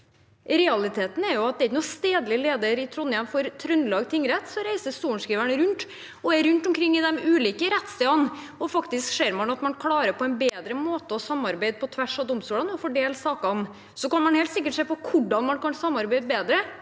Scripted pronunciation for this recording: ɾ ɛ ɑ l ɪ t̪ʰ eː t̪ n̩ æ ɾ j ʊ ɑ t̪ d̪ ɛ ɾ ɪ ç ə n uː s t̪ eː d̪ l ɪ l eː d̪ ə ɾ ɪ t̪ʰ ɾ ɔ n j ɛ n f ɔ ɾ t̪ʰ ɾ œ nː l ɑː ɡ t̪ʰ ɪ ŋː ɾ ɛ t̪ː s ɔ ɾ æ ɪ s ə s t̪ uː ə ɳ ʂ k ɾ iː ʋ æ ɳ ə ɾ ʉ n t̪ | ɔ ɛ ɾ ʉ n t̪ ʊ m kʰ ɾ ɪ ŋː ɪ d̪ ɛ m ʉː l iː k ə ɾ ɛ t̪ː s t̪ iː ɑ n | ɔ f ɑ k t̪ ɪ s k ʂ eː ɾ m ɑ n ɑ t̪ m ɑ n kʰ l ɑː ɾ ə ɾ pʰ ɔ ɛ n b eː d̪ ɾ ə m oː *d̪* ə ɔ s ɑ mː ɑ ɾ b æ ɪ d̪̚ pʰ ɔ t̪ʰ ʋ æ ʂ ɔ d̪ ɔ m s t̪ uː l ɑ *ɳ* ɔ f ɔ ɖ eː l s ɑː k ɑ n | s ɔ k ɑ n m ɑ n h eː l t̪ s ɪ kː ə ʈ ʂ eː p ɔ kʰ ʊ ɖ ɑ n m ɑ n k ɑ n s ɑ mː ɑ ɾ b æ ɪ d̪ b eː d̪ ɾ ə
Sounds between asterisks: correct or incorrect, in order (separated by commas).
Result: incorrect, incorrect